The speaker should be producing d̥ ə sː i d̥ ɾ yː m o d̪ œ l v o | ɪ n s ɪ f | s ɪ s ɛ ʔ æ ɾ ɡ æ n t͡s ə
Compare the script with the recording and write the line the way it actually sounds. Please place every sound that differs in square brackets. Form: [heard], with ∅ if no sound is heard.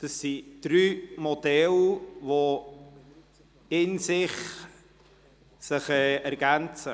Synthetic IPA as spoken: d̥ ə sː i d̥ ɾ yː m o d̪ [ɛ] l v o | ɪ n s ɪ [χ] | s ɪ [χ] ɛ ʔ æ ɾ ɡ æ n t͡s ə